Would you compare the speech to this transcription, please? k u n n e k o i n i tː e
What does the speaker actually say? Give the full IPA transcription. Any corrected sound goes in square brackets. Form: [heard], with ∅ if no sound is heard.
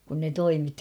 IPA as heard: k u n n e [t] o i [m] i tː [i]